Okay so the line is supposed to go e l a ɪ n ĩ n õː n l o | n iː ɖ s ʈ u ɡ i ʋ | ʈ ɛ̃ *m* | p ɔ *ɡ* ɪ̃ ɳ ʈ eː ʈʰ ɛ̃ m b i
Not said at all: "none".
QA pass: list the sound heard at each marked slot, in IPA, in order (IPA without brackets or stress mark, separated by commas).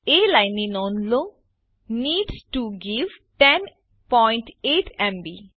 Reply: n, none